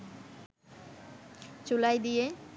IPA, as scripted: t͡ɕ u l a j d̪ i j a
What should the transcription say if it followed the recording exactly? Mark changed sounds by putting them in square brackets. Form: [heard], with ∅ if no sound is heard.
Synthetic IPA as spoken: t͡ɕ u l a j d̪ i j [e]